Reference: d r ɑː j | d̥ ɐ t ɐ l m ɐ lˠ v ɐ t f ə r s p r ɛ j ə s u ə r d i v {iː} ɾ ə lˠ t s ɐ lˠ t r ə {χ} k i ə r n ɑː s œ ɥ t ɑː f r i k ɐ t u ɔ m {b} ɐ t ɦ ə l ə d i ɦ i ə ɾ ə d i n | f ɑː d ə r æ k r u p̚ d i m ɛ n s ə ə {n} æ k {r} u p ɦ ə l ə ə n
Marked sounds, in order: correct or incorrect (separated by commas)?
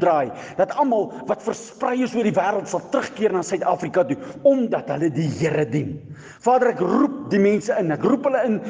incorrect, correct, incorrect, correct, correct